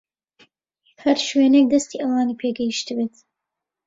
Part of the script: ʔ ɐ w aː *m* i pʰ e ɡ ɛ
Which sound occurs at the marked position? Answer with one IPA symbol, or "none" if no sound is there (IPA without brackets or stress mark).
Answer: n